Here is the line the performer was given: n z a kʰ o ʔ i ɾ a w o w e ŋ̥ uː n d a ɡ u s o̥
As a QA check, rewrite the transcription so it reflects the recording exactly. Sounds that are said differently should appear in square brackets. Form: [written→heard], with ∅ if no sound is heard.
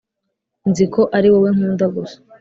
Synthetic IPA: n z [a→i] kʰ o ʔ [i→a] ɾ [a→i] w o w e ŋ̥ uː n d a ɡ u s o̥